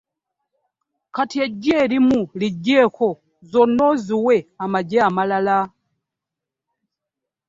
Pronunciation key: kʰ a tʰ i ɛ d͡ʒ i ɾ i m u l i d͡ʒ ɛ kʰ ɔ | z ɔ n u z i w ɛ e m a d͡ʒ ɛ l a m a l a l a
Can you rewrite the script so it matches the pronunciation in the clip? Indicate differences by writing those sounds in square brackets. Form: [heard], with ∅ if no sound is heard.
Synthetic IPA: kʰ a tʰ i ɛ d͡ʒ [ɛ] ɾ i m u l i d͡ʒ ɛ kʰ ɔ | z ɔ n [ɔ] z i w ɛ [a] m a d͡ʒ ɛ [∅] a m a l a l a